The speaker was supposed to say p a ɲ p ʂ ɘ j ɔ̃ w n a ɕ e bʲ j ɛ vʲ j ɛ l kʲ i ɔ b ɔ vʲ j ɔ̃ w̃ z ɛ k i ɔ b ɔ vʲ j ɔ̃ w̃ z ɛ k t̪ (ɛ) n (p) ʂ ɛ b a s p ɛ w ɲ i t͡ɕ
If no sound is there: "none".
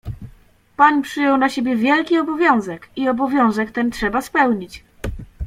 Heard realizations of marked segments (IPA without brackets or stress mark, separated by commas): ɛ, t